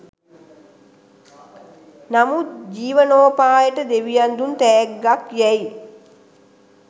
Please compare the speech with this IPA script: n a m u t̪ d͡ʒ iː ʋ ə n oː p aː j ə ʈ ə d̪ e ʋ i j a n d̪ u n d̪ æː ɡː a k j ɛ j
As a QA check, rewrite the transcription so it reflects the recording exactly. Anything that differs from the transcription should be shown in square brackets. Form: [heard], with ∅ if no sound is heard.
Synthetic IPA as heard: n a m u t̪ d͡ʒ iː ʋ ə n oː p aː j ə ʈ ə d̪ e ʋ i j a n d̪ u n [t̪] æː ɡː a k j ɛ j